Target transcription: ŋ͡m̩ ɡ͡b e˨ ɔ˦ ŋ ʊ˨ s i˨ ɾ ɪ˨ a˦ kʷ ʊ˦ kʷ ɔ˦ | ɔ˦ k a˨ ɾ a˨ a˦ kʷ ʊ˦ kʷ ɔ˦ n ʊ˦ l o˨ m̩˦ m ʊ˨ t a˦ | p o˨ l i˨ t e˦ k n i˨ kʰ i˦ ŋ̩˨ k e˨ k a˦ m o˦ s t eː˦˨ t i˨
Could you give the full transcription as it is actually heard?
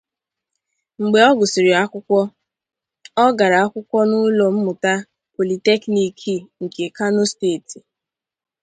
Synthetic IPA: ŋ͡m̩ ɡ͡b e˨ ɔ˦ ɡ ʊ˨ s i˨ ɾ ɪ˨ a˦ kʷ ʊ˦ kʷ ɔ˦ | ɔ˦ ɡ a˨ ɾ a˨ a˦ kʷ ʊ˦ kʷ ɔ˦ n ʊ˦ l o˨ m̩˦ m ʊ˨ t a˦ | p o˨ l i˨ t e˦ k n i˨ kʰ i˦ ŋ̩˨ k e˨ k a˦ n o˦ s t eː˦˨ t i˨